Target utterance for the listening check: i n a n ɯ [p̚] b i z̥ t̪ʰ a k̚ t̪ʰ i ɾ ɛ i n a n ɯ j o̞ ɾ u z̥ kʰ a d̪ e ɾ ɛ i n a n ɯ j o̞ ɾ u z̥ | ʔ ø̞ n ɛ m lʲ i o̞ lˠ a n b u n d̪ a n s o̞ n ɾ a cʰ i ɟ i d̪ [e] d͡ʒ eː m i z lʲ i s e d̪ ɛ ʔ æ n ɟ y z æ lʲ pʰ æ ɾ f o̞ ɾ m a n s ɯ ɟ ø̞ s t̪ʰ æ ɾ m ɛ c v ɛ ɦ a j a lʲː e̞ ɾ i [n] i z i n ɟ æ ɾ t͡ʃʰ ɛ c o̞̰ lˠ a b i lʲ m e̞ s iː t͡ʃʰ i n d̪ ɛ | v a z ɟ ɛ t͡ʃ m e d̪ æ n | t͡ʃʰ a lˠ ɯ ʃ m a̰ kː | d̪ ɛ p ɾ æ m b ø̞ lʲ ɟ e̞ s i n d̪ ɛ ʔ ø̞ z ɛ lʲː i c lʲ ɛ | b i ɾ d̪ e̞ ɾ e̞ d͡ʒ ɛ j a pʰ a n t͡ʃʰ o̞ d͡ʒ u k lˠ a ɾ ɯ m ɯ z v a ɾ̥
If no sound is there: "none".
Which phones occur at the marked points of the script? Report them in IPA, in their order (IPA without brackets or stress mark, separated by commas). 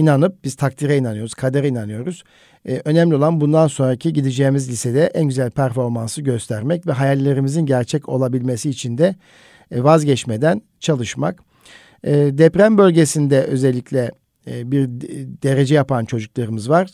p̚, i, m